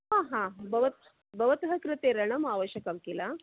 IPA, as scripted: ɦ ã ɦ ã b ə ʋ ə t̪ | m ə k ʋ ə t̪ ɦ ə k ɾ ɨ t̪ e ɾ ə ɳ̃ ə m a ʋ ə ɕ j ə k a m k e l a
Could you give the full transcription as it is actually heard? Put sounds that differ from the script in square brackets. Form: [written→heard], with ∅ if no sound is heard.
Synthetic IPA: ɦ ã ɦ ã b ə ʋ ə t̪ | [m→b] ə [k→∅] ʋ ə t̪ ɦ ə k ɾ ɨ t̪ e ɾ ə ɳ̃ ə m a ʋ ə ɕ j ə k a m k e l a